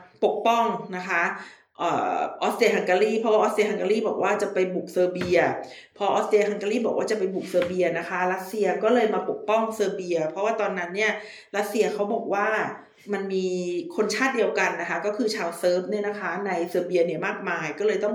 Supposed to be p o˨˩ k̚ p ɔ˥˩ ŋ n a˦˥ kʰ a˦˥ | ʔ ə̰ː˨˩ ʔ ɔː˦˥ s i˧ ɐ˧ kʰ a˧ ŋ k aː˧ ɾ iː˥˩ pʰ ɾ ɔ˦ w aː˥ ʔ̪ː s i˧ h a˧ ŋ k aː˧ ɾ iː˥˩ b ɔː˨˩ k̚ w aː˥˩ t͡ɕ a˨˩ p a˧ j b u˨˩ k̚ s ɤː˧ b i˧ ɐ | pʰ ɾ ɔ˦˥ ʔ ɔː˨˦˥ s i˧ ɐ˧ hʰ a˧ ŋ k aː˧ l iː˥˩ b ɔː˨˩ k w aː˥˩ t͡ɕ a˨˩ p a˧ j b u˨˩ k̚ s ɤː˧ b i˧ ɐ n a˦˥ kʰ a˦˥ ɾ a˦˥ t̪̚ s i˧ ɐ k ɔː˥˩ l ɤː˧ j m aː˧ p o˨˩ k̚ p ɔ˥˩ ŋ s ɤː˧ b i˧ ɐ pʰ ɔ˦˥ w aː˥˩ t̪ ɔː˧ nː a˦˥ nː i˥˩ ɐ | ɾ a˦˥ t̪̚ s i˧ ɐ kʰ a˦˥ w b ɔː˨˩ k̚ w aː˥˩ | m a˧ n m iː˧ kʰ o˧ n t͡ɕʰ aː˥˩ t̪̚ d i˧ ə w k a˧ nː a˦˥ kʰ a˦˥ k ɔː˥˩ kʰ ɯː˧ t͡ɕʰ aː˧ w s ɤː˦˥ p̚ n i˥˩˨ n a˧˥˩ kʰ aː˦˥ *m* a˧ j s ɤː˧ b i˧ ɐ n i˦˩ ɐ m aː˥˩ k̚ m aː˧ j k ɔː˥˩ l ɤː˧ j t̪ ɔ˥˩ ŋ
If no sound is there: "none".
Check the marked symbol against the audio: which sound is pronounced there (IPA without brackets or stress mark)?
n